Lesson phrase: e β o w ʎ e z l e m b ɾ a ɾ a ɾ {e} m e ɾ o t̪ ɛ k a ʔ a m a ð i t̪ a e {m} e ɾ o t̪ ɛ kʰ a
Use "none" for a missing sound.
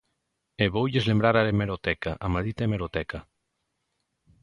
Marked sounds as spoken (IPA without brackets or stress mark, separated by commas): e, m